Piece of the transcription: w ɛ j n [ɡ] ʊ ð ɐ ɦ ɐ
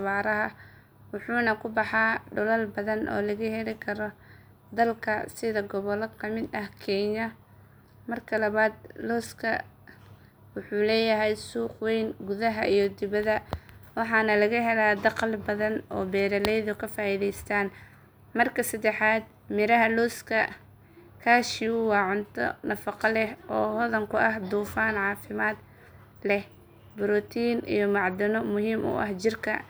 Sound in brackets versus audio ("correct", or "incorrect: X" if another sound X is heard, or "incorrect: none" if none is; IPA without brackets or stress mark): correct